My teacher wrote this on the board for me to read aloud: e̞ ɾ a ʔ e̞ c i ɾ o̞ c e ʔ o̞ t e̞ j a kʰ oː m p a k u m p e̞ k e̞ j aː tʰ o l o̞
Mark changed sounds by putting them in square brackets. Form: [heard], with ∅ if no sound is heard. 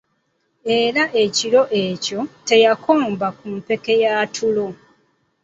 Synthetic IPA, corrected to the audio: e̞ ɾ a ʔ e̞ c i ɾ o̞ [ʔ] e [c] o̞ t e̞ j a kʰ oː m [b] a k u m p e̞ k e̞ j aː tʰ [u] l o̞